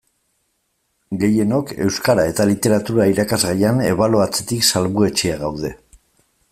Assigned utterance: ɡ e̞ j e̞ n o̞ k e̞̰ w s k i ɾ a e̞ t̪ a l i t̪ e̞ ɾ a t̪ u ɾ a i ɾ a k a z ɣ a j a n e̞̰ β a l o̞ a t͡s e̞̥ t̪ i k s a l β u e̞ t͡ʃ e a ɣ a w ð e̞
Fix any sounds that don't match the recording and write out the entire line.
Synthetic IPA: ɡ e̞ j e̞ n o̞ k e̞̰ w s k a ɾ a e̞ t̪ a l i t̪ e̞ ɾ a t̪ u ɾ a i ɾ a k a z ɣ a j a n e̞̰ β a l o̞ a t͡s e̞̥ t̪ i k s a l β u e̞ t͡ʃ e a ɣ a w ð e̞

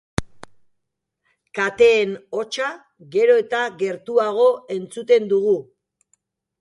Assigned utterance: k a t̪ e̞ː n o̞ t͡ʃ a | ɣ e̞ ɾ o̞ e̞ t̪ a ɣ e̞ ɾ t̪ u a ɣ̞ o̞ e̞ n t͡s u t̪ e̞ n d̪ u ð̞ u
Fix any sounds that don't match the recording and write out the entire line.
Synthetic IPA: k a t̪ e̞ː n o̞ t͡ʃ a | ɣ e̞ ɾ o̞ e̞ t̪ a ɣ e̞ ɾ t̪ u a ɣ̞ o̞ e̞ n t͡s u t̪ e̞ n d̪ u ɣ̞ u

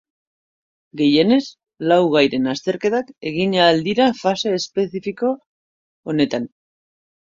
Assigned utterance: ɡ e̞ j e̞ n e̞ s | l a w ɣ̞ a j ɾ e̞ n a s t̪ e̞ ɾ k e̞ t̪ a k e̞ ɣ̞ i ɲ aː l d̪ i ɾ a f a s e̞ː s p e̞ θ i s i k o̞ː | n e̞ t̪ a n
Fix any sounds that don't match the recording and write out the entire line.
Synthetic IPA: ɡ e̞ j e̞ n e̞ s | l a w ɣ̞ a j ɾ e̞ n a s t̪ e̞ ɾ k e̞ t̪ a k e̞ ɣ̞ i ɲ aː l d̪ i ɾ a f a s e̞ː s p e̞ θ i f i k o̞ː | n e̞ t̪ a n

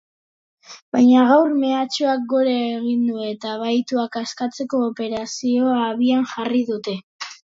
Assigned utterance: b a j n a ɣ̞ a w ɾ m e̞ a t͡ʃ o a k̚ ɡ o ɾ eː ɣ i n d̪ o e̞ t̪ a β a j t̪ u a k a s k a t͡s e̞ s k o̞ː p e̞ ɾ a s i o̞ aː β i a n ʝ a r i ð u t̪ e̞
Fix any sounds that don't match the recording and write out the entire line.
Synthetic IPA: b a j ɲ a ɣ̞ a w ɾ m e̞ a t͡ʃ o a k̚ ɡ o ɾ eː ɣ i n d̪ u e̞ t̪ a β a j t̪ u a k a s k a t͡s e̞ k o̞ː p e̞ ɾ a s i o̞ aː β i a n ʝ a r i ð u t̪ e̞

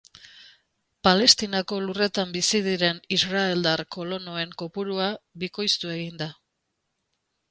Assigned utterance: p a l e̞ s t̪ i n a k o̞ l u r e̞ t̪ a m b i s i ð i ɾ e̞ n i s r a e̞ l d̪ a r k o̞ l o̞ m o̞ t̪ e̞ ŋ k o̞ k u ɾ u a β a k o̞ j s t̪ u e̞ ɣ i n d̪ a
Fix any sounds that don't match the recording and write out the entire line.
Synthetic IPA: p a l e̞ s t̪ i n a k o̞ l u r e̞ t̪ a m b i s i ð i ɾ e̞ n i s r a e̞ l d̪ a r k o̞ l o̞ n o̞ e̞ ŋ k o̞ p u ɾ u a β i k o̞ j s t̪ u e̞ ɣ i n d̪ a

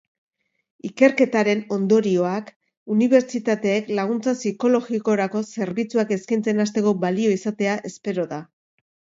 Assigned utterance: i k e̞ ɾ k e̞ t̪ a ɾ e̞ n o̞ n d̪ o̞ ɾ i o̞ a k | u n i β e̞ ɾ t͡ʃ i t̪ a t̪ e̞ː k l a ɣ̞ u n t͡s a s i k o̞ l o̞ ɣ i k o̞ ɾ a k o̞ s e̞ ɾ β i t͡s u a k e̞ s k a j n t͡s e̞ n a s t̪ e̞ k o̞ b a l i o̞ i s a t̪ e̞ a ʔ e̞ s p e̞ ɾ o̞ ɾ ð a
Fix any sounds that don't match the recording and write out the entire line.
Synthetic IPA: i k e̞ ɾ k e̞ t̪ a ɾ e̞ n o̞ n d̪ o̞ ɾ i o̞ a k | u n i β e̞ ɾ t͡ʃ i t̪ a t̪ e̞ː k l a ɣ̞ u n t͡s a s i k o̞ l o̞ ɣ i k o̞ ɾ a k o̞ s e̞ ɾ β i t͡s u a k e̞ s k a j n t͡s e̞ n a s t̪ e̞ k o̞ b a l i o̞ i s a t̪ e̞ a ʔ e̞ s p e̞ ɾ o̞ ð a

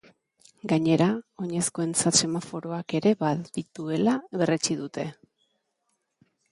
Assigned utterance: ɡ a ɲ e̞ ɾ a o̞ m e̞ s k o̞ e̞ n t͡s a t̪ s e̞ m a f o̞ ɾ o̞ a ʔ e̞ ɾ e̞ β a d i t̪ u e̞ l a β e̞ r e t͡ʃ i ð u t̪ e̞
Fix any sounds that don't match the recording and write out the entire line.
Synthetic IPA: ɡ a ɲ e̞ ɾ a o̞ ɲ e̞ s k o̞ e̞ n t͡s a t̪ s e̞ m a f o̞ ɾ o̞ a k e̞ ɾ e̞ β a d i t̪ u e̞ l a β e̞ r e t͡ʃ i ð u t̪ e̞

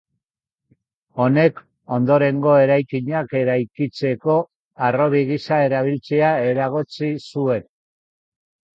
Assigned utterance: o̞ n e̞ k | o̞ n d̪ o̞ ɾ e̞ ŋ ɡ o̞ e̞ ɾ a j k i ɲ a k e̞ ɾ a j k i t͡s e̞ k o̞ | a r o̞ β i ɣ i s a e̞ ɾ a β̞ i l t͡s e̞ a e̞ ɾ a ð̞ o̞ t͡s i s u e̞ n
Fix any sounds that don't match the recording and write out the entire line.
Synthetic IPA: o̞ n e̞ k | o̞ n d̪ o̞ ɾ e̞ ŋ ɡ o̞ e̞ ɾ a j k i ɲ a k e̞ ɾ a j k i t͡s e̞ k o̞ | a r o̞ β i ɣ i s a e̞ ɾ a β̞ i l t͡s e̞ a e̞ ɾ a ɣ̞ o̞ t͡s i s u e̞ n

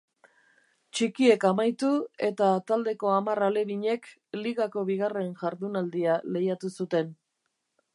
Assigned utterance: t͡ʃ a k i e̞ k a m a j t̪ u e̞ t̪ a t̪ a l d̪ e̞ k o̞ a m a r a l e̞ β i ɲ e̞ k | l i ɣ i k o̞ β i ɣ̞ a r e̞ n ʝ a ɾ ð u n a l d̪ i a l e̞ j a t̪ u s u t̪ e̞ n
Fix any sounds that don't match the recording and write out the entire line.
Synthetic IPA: t͡ʃ i k i e̞ k a m a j t̪ u e̞ t̪ a t̪ a l d̪ e̞ k o̞ a m a r a l e̞ β i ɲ e̞ k | l i ɣ a k o̞ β i ɣ̞ a r e̞ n ʝ a ɾ ð u n a l d̪ i a l e̞ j a t̪ u s u t̪ e̞ n

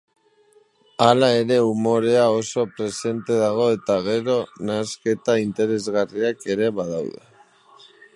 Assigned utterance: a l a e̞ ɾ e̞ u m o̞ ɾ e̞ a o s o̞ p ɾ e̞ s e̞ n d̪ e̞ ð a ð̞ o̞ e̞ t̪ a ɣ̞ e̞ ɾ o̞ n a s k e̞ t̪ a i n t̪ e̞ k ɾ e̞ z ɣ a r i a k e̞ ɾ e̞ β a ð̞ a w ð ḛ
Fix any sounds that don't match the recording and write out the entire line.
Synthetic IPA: a l a e̞ ɾ e̞ u m o̞ ɾ e̞ a o s o̞ p ɾ e̞ s e̞ n t̪ e̞ ð a ɣ̞ o̞ e̞ t̪ a ɣ̞ e̞ ɾ o̞ n a s k e̞ t̪ a i n t̪ e̞ ɾ e̞ z ɣ a r i a k e̞ ɾ e̞ β a ð̞ a w ð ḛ

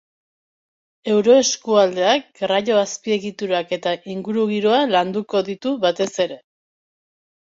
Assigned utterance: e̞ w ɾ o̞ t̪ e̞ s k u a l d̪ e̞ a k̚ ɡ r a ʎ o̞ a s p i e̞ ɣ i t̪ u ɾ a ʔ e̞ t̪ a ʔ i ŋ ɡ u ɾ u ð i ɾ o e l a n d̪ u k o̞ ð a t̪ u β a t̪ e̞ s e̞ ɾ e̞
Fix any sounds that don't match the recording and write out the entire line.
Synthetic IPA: e̞ w ɾ o̞ e̞ s k u a l d̪ e̞ a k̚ ɡ r a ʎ o̞ a s p i e̞ ɣ i t̪ u ɾ a k e̞ t̪ a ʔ i ŋ ɡ u ɾ u ɣ i ɾ o a l a n d̪ u k o̞ ð i t̪ u β a t̪ e̞ s e̞ ɾ e̞

